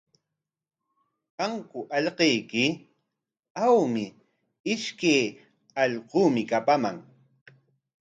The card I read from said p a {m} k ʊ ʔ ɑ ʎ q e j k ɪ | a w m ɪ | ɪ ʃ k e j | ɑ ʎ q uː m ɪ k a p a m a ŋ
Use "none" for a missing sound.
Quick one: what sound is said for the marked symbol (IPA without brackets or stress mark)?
ŋ